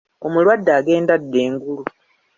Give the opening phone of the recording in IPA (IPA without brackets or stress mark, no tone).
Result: o̞